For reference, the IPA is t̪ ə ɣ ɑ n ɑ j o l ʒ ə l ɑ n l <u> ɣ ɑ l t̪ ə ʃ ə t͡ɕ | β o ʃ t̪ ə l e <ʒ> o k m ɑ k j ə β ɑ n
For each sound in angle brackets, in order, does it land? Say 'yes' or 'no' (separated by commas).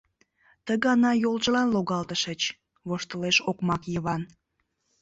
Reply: no, no